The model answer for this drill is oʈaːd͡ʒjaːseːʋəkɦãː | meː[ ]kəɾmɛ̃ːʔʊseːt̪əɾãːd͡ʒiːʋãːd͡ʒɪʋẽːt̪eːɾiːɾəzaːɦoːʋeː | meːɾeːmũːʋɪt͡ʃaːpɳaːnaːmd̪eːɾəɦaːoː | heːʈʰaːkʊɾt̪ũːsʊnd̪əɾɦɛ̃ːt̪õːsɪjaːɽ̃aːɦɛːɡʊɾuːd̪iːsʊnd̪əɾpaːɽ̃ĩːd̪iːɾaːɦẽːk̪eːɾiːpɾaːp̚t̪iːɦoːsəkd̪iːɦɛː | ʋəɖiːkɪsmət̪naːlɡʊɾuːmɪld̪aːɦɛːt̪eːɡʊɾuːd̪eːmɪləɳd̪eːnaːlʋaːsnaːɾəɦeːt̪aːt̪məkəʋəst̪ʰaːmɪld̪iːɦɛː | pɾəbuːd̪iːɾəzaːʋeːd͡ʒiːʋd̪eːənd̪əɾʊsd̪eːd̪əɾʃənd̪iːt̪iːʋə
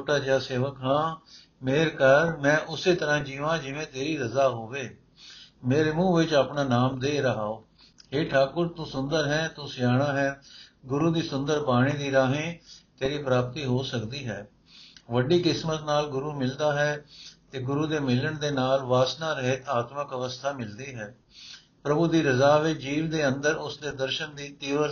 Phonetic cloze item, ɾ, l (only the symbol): ɾ